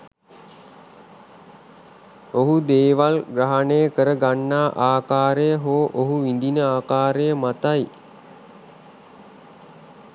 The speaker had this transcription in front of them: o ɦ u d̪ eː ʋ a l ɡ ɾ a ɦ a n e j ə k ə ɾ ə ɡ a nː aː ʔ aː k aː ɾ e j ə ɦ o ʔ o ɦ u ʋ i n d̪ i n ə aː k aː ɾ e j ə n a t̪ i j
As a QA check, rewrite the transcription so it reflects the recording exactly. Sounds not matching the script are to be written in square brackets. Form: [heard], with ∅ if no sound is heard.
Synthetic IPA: o ɦ u d̪ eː ʋ a l ɡ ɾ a ɦ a n e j ə k ə ɾ ə ɡ a nː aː ʔ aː k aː ɾ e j ə ɦ o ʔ o ɦ u ʋ i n d̪ i n ə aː k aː ɾ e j ə [m] a t̪ [a] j